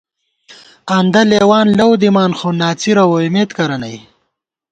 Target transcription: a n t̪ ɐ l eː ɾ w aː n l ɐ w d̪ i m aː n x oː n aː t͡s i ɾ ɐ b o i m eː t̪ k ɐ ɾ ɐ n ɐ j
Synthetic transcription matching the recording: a n d̪ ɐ l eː w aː n l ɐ w d̪ i m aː n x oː n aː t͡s i ɾ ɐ w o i m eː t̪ k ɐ ɾ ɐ n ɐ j